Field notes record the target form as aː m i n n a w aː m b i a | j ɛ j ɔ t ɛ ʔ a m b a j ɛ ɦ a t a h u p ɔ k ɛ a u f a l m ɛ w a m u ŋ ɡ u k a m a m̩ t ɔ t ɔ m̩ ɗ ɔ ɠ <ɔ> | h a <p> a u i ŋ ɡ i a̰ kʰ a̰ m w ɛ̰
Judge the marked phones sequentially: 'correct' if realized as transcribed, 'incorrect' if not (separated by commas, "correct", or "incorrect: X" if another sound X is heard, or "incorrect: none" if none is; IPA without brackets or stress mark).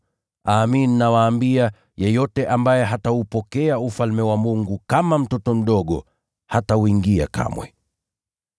correct, incorrect: t